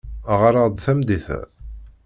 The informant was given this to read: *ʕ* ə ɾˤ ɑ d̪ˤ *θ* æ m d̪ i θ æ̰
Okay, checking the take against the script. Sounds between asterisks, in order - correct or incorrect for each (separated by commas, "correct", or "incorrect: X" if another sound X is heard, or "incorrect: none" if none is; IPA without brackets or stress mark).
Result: incorrect: ʁ, correct